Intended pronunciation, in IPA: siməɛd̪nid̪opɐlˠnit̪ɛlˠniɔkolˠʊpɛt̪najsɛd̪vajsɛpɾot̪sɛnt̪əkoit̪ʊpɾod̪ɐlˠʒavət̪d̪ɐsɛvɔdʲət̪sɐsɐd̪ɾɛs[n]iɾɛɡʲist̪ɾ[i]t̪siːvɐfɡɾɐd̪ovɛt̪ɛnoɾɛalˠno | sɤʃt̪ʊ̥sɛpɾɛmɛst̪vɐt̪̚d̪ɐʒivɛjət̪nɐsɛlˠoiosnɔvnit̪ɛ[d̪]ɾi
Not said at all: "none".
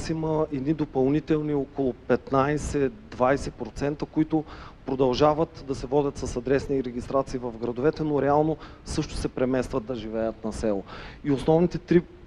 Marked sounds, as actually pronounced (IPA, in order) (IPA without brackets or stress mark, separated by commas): n, a, t̪